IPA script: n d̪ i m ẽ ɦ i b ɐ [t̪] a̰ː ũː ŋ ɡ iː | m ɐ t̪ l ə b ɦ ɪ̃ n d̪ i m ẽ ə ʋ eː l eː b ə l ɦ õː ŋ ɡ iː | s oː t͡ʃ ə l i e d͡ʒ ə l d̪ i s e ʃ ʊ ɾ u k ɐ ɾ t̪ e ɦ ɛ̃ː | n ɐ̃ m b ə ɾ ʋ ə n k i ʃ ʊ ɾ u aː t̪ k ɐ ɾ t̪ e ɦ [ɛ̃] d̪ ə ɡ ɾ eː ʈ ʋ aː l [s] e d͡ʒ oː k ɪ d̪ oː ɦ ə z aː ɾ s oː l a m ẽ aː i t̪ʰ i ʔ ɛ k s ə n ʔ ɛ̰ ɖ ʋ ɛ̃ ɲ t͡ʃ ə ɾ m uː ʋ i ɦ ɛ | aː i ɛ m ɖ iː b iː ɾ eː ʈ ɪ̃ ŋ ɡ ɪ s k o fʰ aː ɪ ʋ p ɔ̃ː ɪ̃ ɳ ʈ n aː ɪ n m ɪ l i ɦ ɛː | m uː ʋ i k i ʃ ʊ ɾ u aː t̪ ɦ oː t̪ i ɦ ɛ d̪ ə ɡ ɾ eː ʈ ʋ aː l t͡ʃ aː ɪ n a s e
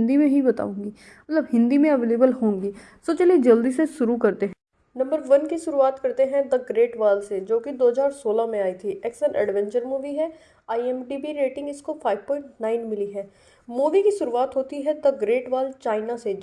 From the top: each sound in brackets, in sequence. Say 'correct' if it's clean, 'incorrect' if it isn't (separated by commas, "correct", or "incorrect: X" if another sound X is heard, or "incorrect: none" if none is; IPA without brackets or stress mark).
correct, correct, correct